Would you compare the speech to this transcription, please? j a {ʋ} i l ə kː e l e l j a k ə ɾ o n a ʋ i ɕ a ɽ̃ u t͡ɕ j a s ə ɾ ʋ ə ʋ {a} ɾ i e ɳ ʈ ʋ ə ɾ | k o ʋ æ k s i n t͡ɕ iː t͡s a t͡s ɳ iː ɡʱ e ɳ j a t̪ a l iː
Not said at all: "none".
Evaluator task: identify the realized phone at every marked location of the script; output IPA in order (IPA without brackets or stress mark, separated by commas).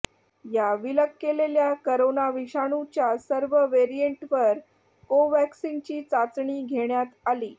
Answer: ʋ, e